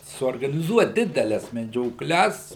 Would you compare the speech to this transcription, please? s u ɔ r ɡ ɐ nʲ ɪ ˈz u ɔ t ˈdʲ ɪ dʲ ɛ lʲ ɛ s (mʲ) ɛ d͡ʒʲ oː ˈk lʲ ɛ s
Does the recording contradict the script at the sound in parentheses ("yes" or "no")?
no